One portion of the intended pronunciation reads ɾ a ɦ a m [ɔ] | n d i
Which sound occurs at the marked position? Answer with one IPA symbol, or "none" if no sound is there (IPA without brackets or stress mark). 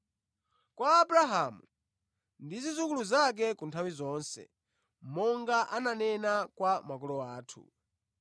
u